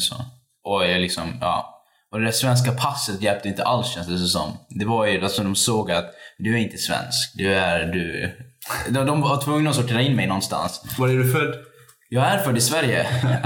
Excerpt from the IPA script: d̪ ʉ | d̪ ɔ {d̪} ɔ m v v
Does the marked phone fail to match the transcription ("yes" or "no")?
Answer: no